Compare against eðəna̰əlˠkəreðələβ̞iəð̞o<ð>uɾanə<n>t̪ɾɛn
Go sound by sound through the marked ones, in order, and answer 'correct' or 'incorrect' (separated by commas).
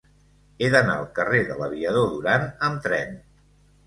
correct, incorrect